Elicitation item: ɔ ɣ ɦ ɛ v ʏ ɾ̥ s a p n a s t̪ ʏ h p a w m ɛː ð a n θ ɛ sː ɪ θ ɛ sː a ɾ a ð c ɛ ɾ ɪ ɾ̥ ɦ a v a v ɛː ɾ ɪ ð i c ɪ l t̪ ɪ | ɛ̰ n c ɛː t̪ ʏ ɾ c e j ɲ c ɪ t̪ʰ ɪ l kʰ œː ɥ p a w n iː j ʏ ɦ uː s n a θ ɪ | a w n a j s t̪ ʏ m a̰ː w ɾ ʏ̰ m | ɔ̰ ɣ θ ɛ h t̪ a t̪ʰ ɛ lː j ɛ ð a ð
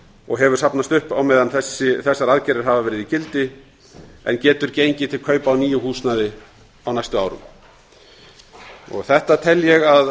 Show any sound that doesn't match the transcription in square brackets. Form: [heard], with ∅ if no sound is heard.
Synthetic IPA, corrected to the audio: ɔ ɣ ɦ ɛ v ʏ ɾ̥ s a p n a s t̪ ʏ h p a w m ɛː ð a n θ ɛ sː ɪ θ ɛ sː a ɾ a ð c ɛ ɾ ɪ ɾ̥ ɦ a v a v ɛː ɾ ɪ ð i c ɪ l t̪ ɪ | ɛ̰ n c ɛː t̪ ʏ ɾ c e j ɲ c ɪ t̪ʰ ɪ l kʰ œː ɥ p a w n iː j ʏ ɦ uː s n a [ð] ɪ | a w n a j s t̪ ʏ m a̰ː w ɾ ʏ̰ m | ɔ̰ ɣ θ ɛ h t̪ a t̪ʰ ɛ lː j ɛ [ɣ] a ð